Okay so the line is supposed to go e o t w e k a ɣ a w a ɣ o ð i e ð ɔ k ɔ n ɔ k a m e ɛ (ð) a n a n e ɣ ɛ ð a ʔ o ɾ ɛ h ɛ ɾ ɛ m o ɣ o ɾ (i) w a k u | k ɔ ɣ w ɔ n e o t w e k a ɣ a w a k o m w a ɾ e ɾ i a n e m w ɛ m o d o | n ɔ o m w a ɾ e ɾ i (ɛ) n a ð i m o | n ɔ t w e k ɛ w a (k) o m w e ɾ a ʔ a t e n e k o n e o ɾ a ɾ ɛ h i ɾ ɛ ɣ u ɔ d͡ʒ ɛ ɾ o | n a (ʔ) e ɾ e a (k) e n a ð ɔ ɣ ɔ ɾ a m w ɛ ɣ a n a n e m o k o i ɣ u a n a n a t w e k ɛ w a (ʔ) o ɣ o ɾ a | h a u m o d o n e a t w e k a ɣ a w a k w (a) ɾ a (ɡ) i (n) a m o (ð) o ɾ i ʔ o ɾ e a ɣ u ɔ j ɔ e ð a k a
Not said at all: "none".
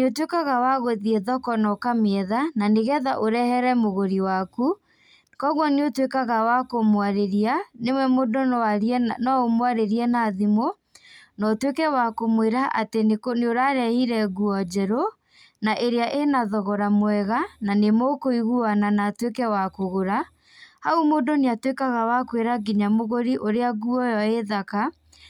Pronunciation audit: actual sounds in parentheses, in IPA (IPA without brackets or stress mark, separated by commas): ð, i, ɛ, k, ʔ, ʔ, k, e, ɡ, ɲ, ɣ